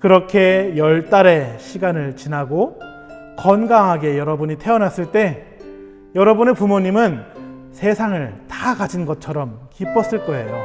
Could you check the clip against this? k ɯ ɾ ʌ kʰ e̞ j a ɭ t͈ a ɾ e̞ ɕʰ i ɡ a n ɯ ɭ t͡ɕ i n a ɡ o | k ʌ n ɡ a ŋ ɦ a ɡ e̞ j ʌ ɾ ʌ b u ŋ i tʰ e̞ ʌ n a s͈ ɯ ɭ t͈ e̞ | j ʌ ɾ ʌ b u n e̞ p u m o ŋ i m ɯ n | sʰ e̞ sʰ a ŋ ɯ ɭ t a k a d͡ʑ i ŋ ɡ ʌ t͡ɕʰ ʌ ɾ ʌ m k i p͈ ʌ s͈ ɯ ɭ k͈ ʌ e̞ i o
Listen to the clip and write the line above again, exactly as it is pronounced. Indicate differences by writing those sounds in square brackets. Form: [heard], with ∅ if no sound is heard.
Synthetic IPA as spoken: k ɯ ɾ ʌ kʰ e̞ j [ʌ] ɭ t͈ a ɾ e̞ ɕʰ i ɡ a n ɯ ɭ t͡ɕ i n a ɡ o | k ʌ n ɡ a ŋ ɦ a ɡ e̞ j ʌ ɾ ʌ b u [ɲ] i tʰ e̞ ʌ n a s͈ ɯ ɭ t͈ e̞ | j ʌ ɾ ʌ b u n e̞ p u m o [ɲ] i m ɯ n | sʰ e̞ sʰ a ŋ ɯ ɭ t a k a d͡ʑ i [n] ɡ ʌ t͡ɕʰ ʌ ɾ ʌ m k i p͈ ʌ s͈ ɯ ɭ k͈ ʌ e̞ [j] o